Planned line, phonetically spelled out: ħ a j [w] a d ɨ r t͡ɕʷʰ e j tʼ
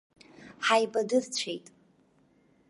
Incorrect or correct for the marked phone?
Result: incorrect: b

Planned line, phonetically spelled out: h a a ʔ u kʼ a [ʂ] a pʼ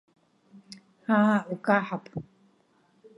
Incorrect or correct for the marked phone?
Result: incorrect: ħ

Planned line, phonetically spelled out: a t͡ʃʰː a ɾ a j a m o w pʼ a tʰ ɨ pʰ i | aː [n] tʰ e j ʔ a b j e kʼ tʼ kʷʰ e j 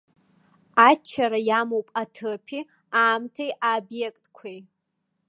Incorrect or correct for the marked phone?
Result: incorrect: m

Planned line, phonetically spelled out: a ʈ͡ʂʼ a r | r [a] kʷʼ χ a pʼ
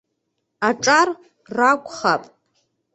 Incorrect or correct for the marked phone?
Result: correct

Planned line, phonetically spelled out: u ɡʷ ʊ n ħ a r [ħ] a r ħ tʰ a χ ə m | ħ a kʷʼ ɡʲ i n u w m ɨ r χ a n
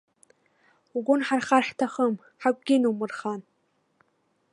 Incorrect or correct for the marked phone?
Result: incorrect: χ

